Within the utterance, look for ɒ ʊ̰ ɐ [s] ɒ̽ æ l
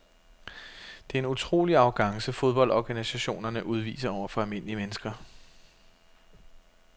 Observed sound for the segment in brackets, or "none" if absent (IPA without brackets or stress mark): f